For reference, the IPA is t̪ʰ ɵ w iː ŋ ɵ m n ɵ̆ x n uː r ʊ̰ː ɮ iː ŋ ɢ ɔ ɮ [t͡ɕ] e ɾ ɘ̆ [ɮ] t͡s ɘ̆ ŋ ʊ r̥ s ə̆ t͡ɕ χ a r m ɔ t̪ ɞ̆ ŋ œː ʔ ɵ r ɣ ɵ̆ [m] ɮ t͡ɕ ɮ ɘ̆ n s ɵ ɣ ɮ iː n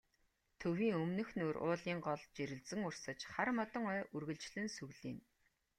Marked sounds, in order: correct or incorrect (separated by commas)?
correct, correct, incorrect